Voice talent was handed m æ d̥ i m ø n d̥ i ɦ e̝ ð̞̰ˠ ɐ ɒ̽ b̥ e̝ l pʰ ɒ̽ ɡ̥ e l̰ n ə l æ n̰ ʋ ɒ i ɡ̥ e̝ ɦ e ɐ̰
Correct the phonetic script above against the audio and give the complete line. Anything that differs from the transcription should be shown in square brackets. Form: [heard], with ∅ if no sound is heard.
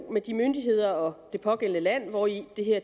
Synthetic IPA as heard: m [e] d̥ i m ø n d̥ i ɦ e̝ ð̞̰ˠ ɐ ɒ̽ [d̥] e̝ [∅] pʰ ɒ̽ ɡ̥ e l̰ n ə l æ n̰ ʋ ɒ i [d̥] e̝ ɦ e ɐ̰